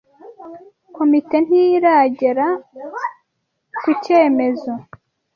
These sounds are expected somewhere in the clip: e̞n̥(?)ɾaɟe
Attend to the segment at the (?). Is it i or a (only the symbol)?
i